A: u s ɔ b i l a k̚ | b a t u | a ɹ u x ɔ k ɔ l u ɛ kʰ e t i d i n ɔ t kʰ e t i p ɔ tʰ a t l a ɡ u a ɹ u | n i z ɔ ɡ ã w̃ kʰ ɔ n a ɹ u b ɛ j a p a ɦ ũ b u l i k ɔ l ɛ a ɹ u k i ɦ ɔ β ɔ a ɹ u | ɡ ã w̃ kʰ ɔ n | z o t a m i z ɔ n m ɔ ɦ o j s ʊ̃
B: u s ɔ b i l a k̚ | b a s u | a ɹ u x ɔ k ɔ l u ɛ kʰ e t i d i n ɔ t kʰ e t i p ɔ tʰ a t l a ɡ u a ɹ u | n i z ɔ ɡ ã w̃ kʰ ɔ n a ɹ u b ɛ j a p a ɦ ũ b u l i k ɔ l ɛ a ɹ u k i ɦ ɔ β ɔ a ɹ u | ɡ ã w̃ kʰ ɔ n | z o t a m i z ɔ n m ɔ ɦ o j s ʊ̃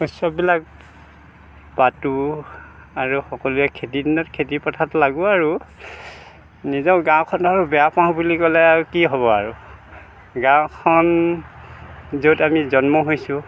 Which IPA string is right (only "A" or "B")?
A